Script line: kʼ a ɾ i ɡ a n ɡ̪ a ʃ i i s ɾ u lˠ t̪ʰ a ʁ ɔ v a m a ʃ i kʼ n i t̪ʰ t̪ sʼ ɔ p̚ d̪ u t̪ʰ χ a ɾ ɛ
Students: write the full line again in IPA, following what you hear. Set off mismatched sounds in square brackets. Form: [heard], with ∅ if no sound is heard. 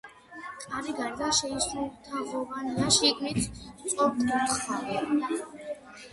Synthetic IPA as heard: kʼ a ɾ i ɡ a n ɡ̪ a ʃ [ɛ] i s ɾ u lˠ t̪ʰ a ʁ ɔ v a [n] a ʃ i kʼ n i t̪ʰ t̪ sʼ ɔ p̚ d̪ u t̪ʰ χ a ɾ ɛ